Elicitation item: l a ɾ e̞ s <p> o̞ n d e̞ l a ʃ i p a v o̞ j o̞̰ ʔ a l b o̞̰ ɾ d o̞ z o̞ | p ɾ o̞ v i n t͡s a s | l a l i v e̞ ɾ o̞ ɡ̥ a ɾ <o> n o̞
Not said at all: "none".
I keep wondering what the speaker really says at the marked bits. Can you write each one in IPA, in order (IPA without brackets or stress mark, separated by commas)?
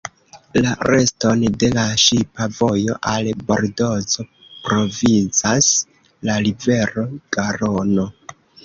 t, o